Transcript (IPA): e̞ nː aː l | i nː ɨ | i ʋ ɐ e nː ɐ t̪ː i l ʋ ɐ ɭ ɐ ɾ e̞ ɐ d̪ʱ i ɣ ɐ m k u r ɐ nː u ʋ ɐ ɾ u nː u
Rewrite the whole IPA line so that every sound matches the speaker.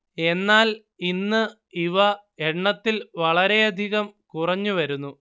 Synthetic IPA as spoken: e̞ nː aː l | i nː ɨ | i ʋ ɐ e ɳː ɐ t̪ː i l ʋ ɐ ɭ ɐ ɾ e̞ ɐ d̪ʱ i ɣ ɐ m k u r ɐ ɲː u ʋ ɐ ɾ u nː u